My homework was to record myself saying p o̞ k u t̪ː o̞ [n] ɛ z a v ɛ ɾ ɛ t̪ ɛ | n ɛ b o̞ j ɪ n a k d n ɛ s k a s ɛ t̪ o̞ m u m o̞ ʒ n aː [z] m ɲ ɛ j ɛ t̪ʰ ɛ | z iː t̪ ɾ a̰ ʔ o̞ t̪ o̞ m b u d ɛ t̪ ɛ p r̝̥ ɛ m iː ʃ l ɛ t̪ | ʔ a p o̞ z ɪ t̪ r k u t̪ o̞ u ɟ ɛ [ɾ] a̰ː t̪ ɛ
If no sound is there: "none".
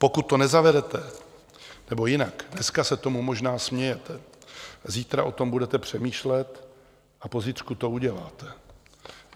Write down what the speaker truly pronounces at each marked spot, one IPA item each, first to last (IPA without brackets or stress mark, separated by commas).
n, s, l